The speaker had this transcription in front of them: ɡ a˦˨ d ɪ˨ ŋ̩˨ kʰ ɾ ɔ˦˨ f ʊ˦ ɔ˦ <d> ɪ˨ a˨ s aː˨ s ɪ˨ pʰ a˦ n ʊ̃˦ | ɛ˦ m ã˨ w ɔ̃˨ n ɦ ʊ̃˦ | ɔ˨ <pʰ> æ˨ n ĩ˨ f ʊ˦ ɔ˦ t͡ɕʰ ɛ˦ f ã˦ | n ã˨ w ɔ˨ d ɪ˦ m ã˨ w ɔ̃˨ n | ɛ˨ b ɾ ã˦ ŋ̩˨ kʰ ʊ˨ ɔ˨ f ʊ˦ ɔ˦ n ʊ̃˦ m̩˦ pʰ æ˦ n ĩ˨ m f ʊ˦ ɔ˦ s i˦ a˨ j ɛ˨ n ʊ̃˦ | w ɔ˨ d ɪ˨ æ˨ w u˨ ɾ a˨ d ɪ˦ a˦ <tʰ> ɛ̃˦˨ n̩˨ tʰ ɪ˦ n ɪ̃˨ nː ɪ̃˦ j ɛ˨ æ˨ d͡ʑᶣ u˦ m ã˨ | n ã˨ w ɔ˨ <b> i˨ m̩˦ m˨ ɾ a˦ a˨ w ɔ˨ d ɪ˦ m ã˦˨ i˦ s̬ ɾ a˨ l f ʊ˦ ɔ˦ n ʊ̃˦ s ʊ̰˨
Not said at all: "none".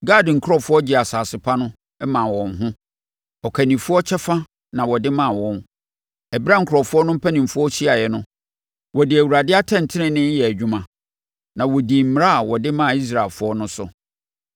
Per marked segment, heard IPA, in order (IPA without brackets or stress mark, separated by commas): d͡ʑ, kʰ, tʰ, d